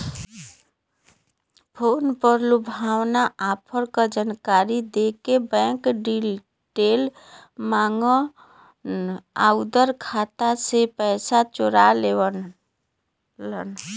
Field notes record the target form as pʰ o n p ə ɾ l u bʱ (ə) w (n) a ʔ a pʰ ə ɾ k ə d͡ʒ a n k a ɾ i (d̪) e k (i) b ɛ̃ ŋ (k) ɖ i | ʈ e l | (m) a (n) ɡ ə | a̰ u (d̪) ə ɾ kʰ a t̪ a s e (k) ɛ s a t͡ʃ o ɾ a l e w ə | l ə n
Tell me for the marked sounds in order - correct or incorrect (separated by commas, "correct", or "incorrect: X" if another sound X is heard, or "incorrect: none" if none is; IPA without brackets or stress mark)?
incorrect: a, correct, correct, incorrect: e, correct, correct, incorrect: ŋ, correct, incorrect: p